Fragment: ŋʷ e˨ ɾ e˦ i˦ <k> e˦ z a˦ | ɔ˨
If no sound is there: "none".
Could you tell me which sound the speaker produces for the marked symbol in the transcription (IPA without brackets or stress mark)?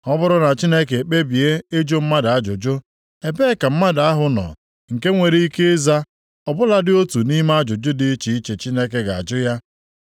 k